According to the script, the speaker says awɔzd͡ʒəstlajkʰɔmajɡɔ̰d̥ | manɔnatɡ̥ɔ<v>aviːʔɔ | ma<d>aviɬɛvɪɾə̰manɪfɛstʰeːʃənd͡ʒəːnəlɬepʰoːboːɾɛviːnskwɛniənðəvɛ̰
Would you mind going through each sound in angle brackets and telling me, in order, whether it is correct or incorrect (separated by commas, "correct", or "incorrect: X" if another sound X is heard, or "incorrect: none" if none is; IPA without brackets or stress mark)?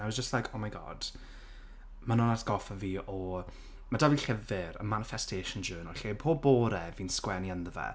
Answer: incorrect: f, correct